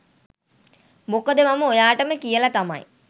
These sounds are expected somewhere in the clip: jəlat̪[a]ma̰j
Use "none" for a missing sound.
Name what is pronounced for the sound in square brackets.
a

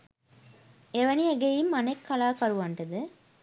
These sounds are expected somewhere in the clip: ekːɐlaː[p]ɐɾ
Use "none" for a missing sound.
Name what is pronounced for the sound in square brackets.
k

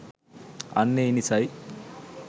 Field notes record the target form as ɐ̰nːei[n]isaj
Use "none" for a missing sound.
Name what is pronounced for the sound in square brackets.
n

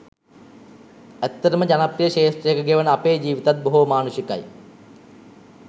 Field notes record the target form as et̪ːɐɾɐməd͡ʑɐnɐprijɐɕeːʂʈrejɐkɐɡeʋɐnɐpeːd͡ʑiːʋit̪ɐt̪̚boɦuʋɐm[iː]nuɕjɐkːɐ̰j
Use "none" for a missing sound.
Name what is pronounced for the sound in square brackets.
aː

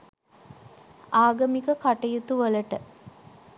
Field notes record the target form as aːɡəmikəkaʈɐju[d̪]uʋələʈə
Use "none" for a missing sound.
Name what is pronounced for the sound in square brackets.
t̪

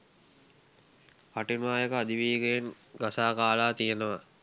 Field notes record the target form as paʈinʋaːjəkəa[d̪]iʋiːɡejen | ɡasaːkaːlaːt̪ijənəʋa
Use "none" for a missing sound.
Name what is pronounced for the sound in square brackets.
d̪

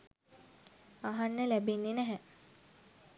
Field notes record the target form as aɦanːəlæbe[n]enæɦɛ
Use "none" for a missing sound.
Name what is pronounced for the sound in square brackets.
nː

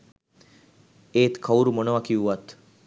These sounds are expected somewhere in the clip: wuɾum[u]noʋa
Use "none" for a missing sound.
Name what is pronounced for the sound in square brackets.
o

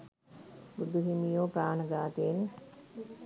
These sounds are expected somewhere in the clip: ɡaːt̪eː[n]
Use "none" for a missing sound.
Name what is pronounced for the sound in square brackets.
n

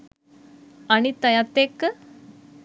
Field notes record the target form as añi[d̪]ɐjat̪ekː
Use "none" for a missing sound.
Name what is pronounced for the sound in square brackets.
t̪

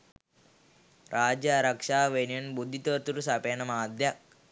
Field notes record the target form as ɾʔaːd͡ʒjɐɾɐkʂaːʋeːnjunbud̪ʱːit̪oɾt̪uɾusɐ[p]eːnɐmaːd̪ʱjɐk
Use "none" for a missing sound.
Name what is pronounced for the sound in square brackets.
p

